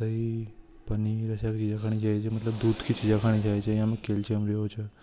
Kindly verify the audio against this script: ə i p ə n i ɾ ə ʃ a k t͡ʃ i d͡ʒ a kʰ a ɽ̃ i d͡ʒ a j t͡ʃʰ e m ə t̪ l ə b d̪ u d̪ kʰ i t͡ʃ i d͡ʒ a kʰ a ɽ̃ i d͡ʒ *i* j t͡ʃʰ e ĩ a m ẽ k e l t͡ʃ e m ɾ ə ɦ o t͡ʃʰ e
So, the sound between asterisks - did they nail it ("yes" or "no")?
no